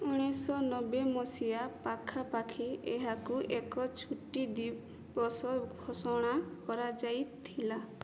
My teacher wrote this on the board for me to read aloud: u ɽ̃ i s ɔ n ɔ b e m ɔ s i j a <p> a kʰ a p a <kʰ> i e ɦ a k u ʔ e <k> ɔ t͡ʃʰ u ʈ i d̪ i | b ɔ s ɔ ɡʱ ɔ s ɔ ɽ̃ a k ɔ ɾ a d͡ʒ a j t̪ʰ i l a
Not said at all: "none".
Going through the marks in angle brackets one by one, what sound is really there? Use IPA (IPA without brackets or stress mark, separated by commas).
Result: p, kʰ, k